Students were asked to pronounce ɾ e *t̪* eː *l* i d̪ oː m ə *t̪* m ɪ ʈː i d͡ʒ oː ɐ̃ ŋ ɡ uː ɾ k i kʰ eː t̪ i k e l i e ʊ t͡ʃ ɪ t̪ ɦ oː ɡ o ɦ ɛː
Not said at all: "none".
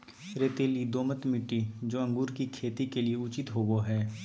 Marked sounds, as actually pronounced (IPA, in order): t̪, l, t̪

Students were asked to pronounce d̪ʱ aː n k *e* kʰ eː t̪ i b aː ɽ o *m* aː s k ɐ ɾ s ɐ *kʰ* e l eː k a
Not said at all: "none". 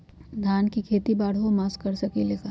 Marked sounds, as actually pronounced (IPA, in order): i, m, k

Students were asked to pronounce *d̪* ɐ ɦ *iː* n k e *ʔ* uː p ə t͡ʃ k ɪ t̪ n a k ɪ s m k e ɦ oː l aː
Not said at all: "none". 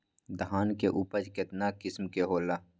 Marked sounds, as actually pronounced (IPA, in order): d̪, aː, ʔ

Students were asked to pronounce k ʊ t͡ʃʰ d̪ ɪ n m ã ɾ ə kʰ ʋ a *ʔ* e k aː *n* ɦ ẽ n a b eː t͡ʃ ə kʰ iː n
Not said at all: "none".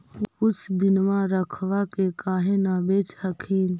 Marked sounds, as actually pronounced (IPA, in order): k, none

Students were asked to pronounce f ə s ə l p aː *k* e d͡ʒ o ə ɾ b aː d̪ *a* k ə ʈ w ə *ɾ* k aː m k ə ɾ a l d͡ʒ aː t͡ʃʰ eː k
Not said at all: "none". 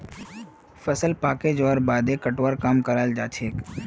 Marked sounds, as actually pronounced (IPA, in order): k, e, ɾ

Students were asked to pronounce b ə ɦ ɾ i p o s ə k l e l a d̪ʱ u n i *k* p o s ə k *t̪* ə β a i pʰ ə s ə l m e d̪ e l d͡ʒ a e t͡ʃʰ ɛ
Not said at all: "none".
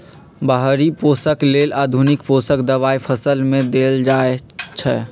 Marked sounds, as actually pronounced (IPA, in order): k, d̪

